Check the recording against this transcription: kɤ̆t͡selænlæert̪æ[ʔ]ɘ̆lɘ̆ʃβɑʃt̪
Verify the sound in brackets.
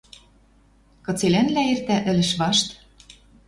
correct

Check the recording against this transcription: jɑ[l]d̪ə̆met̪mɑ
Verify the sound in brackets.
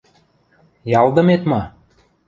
correct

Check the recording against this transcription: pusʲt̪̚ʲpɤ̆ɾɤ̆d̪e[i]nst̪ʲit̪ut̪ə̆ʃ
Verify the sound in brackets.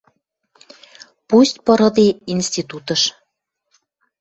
correct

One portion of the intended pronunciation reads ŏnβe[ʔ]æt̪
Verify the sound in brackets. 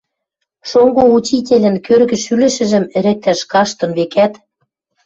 incorrect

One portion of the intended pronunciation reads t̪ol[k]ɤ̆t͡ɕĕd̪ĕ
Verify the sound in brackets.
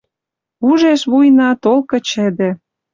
correct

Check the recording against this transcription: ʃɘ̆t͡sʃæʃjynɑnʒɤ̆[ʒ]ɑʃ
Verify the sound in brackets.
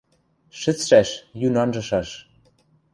incorrect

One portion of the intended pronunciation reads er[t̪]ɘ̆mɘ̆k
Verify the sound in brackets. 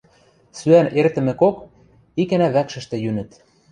correct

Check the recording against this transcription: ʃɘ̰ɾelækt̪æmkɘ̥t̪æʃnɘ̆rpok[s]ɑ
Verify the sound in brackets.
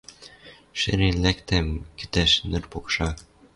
incorrect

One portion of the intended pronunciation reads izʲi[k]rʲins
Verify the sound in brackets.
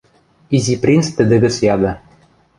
incorrect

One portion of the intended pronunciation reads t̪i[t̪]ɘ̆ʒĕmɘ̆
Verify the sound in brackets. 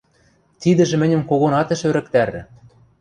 incorrect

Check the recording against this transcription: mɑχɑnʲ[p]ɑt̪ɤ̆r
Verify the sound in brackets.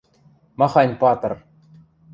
correct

